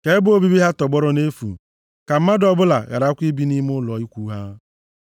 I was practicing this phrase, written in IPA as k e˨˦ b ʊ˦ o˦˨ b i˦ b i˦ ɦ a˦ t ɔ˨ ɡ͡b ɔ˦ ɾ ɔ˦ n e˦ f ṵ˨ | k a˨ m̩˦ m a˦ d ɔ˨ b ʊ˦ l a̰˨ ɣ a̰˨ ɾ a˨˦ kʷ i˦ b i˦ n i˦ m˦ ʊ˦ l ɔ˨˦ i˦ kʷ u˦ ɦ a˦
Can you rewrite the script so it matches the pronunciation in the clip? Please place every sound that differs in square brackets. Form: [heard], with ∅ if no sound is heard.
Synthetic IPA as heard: k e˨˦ b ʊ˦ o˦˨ b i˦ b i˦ ɦ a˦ t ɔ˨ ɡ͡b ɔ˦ ɾ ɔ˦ n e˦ f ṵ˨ | k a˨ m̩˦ m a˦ d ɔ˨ b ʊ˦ l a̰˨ ɣ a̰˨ ɾ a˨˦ kʷ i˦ b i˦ n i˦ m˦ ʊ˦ l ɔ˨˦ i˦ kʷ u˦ ɦ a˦